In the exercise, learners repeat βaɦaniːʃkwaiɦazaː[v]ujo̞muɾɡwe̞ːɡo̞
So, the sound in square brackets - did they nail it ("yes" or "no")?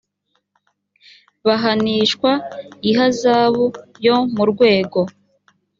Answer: no